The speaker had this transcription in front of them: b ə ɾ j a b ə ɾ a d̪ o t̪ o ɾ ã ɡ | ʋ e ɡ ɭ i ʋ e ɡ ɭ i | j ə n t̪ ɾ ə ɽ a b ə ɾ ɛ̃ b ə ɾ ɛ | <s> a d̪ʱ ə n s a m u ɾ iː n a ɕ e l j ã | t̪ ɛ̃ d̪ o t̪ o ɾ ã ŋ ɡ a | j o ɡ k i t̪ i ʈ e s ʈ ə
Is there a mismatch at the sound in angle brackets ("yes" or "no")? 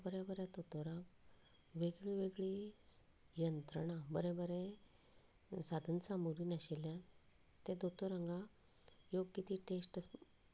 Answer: no